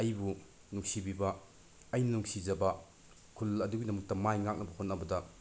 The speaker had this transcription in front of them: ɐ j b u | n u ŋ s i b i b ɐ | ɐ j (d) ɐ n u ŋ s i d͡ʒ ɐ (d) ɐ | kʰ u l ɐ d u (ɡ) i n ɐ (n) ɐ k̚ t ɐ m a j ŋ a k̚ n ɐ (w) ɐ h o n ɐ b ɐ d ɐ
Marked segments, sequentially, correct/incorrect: incorrect, incorrect, correct, incorrect, incorrect

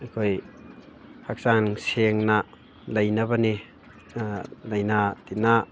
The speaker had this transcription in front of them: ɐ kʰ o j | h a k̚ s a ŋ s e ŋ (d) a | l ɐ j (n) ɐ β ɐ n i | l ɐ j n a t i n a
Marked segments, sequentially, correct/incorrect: incorrect, correct

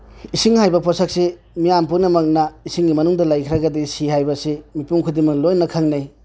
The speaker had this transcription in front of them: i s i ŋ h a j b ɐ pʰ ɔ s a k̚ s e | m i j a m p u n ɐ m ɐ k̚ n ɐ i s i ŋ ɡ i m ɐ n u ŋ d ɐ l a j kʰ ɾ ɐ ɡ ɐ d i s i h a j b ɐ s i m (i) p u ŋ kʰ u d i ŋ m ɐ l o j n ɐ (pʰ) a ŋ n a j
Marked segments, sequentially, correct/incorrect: correct, incorrect

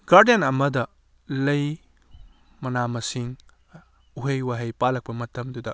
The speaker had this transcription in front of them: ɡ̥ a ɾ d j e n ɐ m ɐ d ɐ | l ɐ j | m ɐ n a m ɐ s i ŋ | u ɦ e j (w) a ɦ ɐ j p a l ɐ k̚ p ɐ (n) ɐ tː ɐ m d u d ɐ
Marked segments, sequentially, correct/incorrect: correct, incorrect

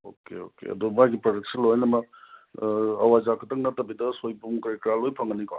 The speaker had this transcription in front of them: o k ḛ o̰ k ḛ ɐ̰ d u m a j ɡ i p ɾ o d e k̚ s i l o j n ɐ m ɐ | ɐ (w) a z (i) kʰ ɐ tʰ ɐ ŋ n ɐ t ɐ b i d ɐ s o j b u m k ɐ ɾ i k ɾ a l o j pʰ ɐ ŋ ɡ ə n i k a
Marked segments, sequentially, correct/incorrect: correct, incorrect

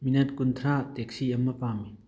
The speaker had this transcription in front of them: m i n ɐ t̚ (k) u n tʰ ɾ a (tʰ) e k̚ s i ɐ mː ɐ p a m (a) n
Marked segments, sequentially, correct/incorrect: correct, incorrect, incorrect

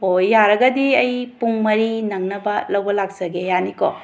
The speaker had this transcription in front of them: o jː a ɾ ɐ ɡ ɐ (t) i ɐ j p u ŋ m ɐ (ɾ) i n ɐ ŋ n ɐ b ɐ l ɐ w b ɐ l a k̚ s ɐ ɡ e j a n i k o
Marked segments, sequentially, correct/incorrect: incorrect, correct

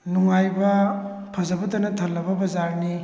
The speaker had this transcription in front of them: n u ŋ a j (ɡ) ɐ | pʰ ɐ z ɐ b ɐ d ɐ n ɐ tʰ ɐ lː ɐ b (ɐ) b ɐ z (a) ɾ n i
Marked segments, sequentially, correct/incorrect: incorrect, correct, correct

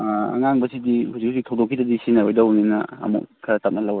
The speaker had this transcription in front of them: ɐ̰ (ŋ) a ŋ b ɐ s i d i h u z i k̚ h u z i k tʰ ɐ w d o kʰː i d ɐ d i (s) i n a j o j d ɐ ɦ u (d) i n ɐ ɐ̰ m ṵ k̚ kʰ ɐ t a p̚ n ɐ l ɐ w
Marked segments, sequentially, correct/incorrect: correct, correct, incorrect

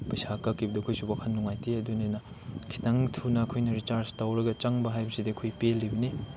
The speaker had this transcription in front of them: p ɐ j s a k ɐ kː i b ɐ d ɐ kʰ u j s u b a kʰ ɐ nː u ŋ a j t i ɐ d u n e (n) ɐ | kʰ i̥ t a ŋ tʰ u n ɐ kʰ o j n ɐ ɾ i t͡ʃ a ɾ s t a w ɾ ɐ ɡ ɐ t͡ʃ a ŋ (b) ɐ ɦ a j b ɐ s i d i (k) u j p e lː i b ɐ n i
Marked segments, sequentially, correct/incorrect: correct, correct, incorrect

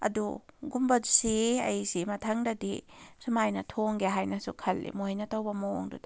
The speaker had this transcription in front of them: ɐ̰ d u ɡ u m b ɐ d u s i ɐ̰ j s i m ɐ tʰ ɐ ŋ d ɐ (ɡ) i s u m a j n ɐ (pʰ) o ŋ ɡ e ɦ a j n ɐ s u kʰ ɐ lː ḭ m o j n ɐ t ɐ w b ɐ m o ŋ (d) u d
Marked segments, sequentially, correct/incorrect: incorrect, incorrect, correct

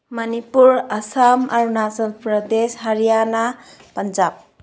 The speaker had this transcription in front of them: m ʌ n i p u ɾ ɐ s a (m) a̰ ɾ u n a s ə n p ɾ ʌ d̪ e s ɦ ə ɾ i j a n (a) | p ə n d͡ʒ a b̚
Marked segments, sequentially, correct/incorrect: correct, correct

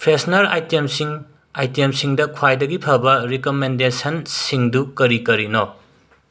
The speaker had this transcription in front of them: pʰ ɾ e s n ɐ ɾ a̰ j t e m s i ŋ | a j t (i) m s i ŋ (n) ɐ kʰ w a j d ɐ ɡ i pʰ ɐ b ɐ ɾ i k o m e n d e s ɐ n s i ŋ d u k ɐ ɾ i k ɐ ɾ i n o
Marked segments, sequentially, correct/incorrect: incorrect, incorrect

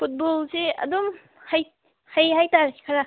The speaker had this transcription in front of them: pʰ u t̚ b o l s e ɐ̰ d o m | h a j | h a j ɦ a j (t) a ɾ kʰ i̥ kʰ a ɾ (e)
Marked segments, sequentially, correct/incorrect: correct, incorrect

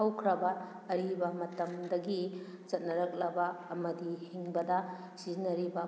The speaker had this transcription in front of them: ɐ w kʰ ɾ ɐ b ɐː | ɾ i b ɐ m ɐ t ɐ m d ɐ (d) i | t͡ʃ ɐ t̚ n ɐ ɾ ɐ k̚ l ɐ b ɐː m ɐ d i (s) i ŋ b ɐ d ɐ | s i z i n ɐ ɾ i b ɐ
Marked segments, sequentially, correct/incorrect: incorrect, incorrect

